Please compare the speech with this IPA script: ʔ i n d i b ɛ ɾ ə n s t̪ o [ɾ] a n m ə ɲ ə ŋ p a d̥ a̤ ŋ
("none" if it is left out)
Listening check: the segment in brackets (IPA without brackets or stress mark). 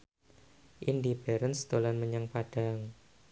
l